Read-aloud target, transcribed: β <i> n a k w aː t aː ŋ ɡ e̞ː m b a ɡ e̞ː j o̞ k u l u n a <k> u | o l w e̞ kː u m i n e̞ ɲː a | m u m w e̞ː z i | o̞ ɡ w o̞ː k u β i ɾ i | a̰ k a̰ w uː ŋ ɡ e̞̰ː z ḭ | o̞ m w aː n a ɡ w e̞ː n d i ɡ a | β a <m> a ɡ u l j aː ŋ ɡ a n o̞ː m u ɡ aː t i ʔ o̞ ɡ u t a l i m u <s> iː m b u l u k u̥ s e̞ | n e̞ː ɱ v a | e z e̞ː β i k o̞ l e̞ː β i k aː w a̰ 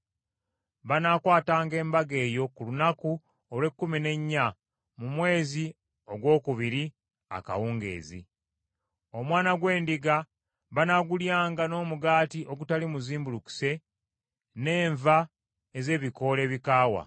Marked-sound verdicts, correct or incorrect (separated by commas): incorrect, correct, incorrect, incorrect